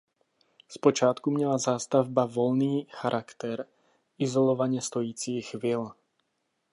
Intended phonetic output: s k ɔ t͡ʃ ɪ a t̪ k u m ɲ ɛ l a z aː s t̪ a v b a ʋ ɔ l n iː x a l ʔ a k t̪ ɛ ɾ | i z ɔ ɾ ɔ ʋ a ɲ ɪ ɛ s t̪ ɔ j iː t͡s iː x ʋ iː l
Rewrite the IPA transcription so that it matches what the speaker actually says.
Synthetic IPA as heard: s p ɔ t͡ʃ ɪ a t̪ k u m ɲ ɛ l a z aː s t̪ a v b a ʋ ɔ l n iː x a ɾ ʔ a k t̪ ɛ ɾ | i z ɔ l ɔ ʋ a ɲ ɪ ɛ s t̪ ɔ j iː t͡s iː x ʋ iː l

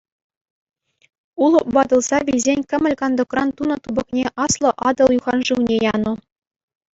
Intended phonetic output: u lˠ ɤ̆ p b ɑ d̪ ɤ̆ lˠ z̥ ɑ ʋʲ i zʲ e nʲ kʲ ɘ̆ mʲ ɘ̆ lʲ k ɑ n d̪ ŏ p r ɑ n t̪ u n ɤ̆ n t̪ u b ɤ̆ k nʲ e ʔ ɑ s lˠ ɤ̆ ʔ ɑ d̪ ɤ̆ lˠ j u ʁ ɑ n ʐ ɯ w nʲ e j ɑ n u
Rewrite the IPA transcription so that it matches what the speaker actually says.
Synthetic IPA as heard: u lˠ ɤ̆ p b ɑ d̪ ɤ̆ lˠ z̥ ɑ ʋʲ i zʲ e nʲ kʲ ɘ̆ mʲ ɘ̆ lʲ k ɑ n d̪ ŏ k r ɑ n t̪ u n ɤ̆ t̪ u b ɤ̆ k nʲ e ʔ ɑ s lˠ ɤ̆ ʔ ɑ d̪ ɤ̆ lˠ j u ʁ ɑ n ʐ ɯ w nʲ e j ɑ n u

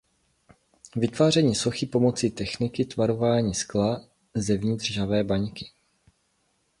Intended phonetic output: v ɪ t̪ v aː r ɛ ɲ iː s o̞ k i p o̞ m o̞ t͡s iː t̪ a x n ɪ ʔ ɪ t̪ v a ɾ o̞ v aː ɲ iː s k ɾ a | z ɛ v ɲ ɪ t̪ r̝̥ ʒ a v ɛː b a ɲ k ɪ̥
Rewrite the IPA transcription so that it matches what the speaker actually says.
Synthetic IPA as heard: v ɪ t̪ v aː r ɛ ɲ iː s o̞ x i p o̞ m o̞ t͡s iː t̪ ɛ x n ɪ k ɪ t̪ v a ɾ o̞ v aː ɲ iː s k l a | z ɛ v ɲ ɪ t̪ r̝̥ ʒ a v ɛː b a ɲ k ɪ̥

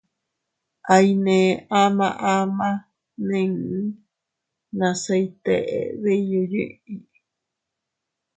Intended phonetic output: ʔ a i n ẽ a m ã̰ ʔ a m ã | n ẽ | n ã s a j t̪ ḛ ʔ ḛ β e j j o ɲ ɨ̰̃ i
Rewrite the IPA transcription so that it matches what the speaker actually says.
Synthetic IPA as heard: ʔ a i n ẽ a m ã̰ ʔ a m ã | n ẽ | n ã s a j t̪ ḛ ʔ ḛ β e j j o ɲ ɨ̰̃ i

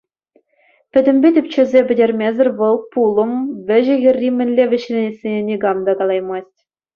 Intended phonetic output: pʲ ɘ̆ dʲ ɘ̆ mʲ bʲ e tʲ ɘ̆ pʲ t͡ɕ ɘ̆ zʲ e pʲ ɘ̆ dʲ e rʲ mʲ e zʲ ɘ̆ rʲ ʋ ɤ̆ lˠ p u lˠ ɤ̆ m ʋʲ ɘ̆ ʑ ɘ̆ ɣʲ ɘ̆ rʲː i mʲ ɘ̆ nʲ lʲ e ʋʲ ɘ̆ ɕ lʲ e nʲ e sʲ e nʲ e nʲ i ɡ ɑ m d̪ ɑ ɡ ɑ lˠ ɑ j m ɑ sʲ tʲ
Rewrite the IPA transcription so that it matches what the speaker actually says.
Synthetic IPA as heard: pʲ ɘ̆ dʲ ɘ̆ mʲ bʲ e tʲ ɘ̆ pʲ t͡ɕ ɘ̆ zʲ e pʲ ɘ̆ dʲ e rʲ mʲ e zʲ ɘ̆ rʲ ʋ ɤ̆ lˠ p u lˠ ɤ̆ m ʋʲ ɘ̆ ʑ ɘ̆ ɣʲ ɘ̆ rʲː i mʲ ɘ̆ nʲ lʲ e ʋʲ ɘ̆ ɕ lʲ e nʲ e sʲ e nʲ e nʲ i ɡ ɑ m d̪ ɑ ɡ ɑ lˠ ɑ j m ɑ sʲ tʲ

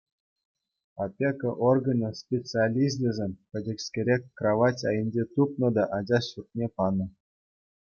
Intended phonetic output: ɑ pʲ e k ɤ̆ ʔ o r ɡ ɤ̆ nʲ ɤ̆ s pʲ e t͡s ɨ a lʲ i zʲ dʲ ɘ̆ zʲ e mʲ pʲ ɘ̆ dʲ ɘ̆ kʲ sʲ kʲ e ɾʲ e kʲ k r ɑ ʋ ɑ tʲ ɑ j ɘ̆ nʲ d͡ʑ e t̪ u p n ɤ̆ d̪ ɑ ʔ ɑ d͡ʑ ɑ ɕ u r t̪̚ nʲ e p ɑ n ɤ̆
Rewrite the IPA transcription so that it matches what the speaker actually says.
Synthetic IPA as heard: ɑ pʲ e k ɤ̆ ʔ o r ɡ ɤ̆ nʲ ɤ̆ s pʲ e t͡s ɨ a lʲ i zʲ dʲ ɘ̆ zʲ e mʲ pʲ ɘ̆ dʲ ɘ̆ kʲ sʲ kʲ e ɾʲ e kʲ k r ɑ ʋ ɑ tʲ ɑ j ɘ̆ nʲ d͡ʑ e t̪ u p n ɤ̆ d̪ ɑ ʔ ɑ d͡ʑ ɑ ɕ u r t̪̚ nʲ e p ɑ n ɤ̆

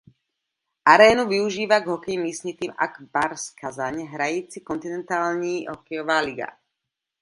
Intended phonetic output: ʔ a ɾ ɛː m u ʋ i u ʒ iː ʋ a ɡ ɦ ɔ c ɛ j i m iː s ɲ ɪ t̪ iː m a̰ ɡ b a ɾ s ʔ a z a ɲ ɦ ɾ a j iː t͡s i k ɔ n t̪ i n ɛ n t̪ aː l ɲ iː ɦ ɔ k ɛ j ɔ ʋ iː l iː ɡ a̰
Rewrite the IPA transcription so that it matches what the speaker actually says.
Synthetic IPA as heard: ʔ a ɾ ɛː n u ʋ i u ʒ iː ʋ a ɡ ɦ ɔ k ɛ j i m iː s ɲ i t̪ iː m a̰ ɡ b a ɾ s k a z a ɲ ɦ ɾ a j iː t͡s i k ɔ n t̪ i n ɛ n t̪ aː l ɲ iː ɦ ɔ k ɛ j ɔ ʋ aː l i ɡ a̰

